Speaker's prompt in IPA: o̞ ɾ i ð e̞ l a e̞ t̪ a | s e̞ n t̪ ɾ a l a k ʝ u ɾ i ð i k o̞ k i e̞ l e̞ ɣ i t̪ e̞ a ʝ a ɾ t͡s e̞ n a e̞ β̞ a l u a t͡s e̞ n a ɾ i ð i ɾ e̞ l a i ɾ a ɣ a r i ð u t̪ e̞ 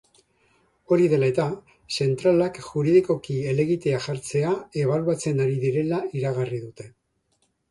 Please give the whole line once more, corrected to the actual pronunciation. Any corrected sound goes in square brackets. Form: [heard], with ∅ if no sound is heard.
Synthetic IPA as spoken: o̞ ɾ i ð e̞ l a e̞ t̪ a | s e̞ n t̪ ɾ a l a k ʝ u ɾ i ð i k o̞ k i e̞ l e̞ ɣ i t̪ e̞ a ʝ a ɾ t͡s e̞ [∅] a e̞ β̞ a l u a t͡s e̞ n a ɾ i ð i ɾ e̞ l a i ɾ a ɣ a r i ð u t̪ e̞